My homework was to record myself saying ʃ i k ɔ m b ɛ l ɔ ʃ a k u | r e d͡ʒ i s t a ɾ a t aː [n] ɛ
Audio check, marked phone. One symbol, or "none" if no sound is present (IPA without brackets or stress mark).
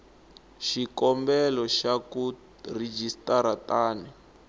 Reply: n